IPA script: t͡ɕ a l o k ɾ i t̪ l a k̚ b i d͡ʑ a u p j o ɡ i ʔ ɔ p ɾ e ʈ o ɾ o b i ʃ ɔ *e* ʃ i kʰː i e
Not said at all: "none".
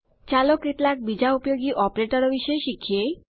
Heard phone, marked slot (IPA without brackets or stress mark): e